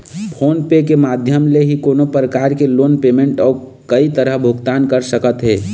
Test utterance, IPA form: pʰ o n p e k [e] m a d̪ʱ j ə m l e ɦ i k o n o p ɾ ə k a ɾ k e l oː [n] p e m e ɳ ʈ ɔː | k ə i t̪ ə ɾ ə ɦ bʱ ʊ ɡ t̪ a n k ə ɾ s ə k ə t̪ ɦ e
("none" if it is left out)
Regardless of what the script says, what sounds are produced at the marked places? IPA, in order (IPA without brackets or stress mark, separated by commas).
e, n